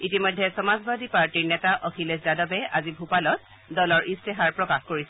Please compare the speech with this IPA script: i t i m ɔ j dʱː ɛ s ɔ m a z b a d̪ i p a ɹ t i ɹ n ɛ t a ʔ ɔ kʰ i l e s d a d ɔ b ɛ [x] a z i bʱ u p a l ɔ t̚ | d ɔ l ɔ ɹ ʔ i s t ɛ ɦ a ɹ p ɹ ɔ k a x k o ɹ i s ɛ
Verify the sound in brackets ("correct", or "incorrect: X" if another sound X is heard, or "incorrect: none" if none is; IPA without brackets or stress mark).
incorrect: none